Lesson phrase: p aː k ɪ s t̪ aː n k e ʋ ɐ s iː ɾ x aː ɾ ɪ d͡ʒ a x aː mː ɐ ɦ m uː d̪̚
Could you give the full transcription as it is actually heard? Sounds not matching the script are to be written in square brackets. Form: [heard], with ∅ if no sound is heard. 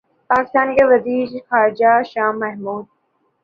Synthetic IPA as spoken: p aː k ɪ s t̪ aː n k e ʋ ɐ [z] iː ɾ x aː ɾ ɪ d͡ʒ a [ʃ] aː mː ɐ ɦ m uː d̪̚